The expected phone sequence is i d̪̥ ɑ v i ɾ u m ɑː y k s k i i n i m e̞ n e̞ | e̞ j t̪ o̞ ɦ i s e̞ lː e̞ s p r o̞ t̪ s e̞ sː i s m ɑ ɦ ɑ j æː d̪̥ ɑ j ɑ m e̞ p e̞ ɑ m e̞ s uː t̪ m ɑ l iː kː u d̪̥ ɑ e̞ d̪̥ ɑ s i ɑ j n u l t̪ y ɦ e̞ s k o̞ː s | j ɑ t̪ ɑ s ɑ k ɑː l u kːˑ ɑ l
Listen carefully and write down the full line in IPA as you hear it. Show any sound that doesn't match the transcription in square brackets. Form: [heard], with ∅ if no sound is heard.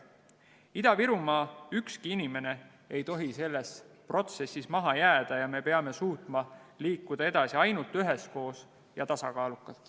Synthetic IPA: i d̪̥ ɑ v i ɾ u m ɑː y k s k i i n i m e̞ n e̞ | e̞ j t̪ o̞ ɦ i s e̞ lː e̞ s p r o̞ t̪ s e̞ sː i s m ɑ ɦ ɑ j æː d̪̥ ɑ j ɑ m e̞ p e̞ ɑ m e̞ s uː t̪ m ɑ l iː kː u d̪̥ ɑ e̞ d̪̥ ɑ s i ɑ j n u l t̪ y ɦ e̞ s k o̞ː s | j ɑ t̪ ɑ s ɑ k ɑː l u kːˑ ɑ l